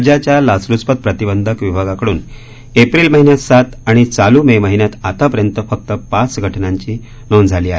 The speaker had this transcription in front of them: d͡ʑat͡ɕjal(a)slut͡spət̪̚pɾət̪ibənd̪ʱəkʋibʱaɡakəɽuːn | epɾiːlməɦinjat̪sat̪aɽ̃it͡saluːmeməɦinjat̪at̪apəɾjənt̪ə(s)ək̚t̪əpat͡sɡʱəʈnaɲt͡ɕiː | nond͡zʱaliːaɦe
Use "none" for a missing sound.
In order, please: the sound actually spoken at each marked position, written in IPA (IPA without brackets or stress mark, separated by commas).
a, f